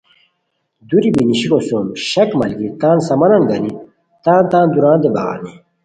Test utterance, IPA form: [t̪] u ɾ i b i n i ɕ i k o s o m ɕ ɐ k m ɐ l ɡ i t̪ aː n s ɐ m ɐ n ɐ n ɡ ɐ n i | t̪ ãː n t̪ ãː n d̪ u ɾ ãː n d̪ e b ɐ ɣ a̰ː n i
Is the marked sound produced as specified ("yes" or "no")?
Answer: no